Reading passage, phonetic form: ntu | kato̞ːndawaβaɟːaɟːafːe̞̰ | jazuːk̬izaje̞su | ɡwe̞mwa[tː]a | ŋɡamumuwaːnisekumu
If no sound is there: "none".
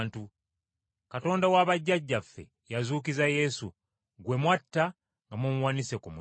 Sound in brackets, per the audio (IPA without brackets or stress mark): tː